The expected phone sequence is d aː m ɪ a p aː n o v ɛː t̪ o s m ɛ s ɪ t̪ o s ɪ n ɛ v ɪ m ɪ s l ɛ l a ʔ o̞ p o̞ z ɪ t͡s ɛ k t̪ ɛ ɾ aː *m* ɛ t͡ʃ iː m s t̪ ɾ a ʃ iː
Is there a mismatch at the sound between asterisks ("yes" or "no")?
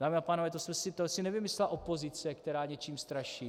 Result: yes